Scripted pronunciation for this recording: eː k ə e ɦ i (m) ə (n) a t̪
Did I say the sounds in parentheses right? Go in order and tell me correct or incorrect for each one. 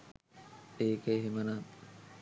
correct, correct

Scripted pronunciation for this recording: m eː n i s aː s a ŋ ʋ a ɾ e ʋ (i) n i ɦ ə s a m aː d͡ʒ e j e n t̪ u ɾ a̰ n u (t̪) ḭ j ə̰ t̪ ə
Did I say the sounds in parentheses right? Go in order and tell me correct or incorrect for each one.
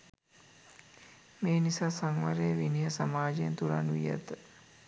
correct, incorrect: none

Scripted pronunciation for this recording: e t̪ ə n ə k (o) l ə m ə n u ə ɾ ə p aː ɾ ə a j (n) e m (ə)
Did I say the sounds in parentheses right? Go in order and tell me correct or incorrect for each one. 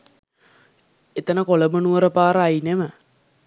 correct, correct, correct

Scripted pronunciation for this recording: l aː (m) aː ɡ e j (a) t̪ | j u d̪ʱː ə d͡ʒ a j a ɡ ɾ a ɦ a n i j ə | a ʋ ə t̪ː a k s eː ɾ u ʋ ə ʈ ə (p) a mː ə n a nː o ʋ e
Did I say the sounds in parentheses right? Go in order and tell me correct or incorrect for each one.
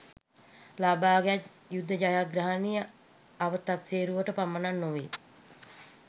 incorrect: b, correct, correct

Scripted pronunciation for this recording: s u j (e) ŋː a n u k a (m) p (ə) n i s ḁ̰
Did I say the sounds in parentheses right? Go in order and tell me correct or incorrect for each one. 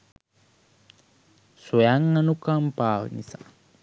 incorrect: a, correct, incorrect: a

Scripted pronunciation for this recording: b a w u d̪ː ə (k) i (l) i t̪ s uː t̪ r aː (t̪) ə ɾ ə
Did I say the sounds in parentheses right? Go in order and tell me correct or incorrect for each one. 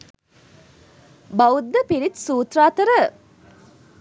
incorrect: p, incorrect: ɾ, correct

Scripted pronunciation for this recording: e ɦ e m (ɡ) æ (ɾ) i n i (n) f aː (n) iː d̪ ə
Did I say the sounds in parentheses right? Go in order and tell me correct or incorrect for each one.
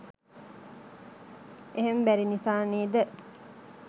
incorrect: b, correct, incorrect: none, correct

